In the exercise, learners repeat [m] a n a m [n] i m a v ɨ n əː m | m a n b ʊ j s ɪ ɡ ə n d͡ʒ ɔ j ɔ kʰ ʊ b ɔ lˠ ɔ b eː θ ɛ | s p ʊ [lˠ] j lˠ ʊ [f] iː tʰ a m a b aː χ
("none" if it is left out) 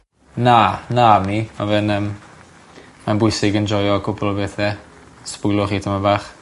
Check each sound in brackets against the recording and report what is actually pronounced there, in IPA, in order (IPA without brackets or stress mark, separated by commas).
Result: n, n, none, χ